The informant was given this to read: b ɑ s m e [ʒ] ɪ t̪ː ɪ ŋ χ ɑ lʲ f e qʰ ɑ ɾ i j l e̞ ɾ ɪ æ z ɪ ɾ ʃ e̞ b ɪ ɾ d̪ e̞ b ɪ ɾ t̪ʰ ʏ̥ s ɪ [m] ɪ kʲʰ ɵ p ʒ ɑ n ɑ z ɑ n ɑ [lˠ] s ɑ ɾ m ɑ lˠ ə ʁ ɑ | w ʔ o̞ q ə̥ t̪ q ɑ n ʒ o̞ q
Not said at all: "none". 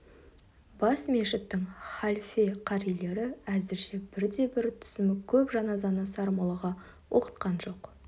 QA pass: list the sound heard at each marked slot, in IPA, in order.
ʃ, m, none

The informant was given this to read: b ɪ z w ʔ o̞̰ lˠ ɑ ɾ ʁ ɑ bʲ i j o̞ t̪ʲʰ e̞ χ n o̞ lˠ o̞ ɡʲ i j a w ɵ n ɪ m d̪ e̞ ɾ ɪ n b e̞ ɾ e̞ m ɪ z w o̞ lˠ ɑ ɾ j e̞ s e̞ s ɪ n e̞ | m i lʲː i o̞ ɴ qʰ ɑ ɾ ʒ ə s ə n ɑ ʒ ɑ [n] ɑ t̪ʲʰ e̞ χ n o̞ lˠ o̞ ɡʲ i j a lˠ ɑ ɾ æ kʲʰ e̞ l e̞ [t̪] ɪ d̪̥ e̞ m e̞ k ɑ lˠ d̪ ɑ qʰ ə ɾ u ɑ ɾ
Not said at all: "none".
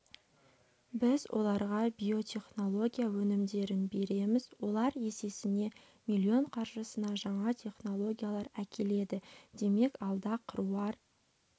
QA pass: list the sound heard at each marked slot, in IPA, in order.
ɴ, d̪

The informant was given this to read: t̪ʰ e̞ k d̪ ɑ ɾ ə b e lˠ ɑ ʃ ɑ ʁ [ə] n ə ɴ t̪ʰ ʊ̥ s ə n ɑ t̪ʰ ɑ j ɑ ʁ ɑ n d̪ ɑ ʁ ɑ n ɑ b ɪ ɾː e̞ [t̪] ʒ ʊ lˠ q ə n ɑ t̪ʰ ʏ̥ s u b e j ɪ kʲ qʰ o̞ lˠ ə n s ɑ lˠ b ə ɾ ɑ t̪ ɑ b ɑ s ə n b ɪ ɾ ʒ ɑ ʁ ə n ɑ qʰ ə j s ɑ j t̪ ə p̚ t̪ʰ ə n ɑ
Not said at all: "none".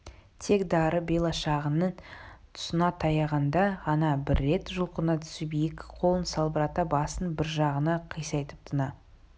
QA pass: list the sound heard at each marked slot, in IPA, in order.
ə, t̪

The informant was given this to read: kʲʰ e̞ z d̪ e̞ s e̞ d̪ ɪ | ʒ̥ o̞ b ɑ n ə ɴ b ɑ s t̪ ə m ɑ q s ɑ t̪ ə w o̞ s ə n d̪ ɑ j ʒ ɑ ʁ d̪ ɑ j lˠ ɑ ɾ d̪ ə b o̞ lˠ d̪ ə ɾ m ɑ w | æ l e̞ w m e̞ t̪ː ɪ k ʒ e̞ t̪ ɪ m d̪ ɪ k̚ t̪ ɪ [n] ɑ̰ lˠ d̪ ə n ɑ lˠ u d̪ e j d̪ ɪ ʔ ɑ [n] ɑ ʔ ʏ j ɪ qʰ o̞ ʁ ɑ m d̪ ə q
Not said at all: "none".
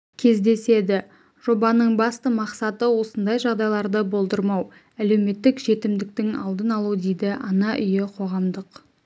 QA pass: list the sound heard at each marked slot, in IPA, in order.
ŋ, n

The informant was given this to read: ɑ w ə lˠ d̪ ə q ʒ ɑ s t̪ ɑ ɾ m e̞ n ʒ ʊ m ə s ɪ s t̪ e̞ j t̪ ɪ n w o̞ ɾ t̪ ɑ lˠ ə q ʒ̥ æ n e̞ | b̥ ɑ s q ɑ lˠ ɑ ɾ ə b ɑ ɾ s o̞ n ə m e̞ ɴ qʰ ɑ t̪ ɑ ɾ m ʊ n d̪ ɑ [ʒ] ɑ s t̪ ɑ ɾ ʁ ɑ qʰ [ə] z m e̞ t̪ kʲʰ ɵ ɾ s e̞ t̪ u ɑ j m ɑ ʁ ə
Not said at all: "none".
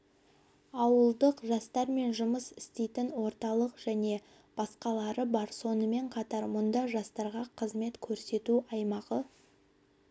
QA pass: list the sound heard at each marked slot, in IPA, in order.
ʒ, ə

